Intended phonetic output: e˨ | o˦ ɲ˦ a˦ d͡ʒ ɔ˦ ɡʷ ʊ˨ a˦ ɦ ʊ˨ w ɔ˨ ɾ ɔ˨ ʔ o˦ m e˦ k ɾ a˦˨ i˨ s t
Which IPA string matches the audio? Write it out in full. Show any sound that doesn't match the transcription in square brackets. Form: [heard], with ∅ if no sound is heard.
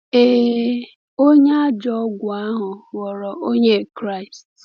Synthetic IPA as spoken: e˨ | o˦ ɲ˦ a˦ d͡ʒ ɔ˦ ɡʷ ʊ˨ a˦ ɦ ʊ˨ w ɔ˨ ɾ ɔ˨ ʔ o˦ [ɲ] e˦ k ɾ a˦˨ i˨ s t

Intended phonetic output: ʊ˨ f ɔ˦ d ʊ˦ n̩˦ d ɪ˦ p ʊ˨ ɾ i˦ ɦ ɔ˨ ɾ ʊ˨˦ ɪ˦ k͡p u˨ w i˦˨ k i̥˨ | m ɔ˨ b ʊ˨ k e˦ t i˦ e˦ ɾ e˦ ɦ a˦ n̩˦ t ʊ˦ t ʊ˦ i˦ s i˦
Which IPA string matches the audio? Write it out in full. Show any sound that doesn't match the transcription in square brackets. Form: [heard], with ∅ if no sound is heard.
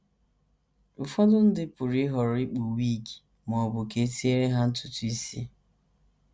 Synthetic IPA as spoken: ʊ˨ f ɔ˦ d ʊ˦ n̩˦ d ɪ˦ p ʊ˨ ɾ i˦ ɦ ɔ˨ ɾ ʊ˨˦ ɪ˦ k͡p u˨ w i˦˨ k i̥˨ | m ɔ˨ b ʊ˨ k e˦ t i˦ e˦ ɾ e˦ ɦ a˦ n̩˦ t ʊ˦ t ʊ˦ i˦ s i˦

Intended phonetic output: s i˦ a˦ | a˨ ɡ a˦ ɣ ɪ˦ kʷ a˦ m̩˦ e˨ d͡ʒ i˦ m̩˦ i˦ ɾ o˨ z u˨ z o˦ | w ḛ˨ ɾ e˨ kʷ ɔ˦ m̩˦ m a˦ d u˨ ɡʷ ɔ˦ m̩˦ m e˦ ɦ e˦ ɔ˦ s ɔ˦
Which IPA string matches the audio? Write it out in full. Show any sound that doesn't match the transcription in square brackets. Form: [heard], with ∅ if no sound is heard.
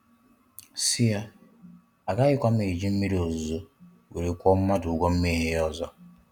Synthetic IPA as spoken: s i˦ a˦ | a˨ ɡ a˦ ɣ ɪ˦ kʷ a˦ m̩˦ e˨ d͡ʒ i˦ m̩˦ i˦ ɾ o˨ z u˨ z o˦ | w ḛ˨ ɾ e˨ kʷ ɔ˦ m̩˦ m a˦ d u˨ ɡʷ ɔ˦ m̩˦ m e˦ ɦ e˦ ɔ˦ [z] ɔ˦

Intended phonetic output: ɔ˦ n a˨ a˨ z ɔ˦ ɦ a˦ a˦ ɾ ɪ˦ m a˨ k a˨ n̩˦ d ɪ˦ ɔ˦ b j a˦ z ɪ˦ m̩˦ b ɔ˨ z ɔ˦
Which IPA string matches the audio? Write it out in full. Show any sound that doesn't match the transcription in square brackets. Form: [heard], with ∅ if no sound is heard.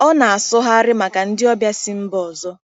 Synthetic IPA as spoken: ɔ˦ n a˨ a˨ [s] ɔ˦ ɦ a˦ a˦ ɾ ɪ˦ m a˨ k a˨ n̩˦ d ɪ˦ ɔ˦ b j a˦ [s] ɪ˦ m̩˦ b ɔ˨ z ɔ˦

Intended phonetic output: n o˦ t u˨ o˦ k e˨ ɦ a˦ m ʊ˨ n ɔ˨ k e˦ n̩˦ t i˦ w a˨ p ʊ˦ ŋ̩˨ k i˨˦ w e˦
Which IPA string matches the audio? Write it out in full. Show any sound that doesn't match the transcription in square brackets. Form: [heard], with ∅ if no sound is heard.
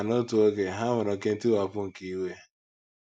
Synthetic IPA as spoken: n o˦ t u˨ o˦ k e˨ ɦ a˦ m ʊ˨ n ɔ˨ k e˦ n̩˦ t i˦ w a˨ p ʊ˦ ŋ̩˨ k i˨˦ w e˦

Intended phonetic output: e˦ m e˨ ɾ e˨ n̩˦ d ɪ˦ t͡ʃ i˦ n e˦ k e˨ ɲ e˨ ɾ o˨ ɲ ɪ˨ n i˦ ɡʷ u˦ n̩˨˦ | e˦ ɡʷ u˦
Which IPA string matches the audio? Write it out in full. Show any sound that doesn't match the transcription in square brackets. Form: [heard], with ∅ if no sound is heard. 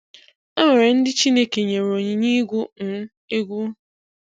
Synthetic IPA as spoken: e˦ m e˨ ɾ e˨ n̩˦ d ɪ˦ t͡ʃ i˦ n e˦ k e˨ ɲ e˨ ɾ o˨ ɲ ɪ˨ [ɲ] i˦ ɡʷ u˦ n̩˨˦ | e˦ ɡʷ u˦

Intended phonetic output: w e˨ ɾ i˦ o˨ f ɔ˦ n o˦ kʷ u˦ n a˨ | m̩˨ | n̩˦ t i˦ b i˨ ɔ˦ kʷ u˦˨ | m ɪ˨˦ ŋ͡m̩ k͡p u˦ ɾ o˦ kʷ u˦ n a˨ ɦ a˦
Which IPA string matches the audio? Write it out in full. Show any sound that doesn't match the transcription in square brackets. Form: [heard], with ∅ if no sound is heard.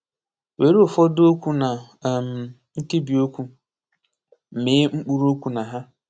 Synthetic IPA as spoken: w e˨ ɾ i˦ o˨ f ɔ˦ [d] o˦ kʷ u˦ n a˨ | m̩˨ | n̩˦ t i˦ b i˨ [o˦] kʷ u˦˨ | m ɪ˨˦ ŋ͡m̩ k͡p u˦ ɾ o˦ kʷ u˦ n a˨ ɦ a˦

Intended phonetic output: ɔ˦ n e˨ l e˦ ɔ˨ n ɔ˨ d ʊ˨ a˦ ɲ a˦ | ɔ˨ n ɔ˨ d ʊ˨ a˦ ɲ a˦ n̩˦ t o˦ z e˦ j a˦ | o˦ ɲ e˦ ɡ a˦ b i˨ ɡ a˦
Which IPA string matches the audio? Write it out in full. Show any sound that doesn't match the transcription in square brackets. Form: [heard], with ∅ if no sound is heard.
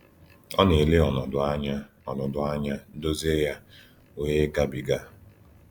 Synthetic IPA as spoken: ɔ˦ n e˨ l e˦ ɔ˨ n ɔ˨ d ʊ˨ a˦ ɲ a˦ | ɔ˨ n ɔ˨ d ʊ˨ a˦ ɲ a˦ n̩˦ [d] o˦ z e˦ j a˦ | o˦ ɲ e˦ ɡ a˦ b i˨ ɡ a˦

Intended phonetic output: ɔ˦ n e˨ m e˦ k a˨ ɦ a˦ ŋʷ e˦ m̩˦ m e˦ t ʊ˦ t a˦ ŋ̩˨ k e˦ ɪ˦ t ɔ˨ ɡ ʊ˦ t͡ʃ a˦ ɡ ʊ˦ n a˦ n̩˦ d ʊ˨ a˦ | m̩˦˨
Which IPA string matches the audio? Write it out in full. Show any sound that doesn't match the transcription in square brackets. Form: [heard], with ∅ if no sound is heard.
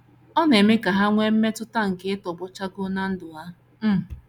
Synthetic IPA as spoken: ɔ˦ n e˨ m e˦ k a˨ ɦ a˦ ŋʷ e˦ m̩˦ m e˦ t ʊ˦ t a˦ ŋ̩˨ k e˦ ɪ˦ t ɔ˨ [b] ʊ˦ t͡ʃ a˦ ɡ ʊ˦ n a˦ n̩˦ d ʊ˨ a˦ | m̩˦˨

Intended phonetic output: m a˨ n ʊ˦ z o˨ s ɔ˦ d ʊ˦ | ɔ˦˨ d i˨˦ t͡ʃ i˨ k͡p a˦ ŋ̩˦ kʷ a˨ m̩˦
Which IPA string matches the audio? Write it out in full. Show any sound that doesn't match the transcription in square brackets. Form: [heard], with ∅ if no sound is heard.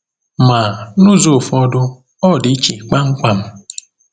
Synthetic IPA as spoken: m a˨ n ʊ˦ z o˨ [f] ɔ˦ d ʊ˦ | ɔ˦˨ d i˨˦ t͡ʃ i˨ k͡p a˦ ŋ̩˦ kʷ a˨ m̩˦

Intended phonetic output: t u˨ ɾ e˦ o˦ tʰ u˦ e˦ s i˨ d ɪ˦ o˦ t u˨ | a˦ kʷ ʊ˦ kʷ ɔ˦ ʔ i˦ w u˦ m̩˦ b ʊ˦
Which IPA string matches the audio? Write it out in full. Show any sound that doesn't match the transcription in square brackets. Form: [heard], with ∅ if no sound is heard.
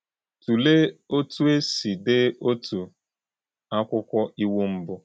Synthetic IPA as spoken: t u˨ [l] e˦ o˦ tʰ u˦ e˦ s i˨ d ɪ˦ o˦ t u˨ | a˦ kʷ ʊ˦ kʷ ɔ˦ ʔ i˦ w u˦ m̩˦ b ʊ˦

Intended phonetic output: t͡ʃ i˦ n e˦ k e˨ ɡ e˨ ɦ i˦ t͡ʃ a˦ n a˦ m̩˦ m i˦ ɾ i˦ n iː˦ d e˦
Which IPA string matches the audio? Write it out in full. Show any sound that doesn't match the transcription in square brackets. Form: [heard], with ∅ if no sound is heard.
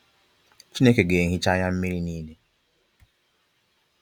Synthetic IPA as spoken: t͡ʃ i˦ n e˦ k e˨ ɡ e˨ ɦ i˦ t͡ʃ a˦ [ɲ] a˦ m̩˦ m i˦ ɾ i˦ n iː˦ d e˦

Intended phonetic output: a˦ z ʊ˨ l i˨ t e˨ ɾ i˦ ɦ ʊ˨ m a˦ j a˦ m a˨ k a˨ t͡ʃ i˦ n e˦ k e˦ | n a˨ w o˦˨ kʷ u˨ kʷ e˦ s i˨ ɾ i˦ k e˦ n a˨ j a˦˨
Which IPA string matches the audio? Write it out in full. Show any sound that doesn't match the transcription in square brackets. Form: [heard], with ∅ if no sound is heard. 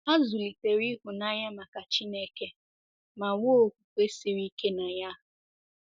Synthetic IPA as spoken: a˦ z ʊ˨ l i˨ t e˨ ɾ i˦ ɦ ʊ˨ [n] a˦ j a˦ m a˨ k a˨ t͡ʃ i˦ n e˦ k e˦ | [m] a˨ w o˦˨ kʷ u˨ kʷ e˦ s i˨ ɾ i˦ k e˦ n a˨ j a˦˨

